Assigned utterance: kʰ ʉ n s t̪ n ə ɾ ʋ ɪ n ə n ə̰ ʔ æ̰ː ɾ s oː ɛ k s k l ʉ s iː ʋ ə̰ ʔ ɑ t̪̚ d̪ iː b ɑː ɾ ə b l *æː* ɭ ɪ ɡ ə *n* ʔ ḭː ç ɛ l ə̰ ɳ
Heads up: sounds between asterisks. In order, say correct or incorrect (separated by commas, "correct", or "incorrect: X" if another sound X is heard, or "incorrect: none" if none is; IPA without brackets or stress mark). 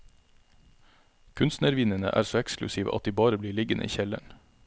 incorrect: iː, correct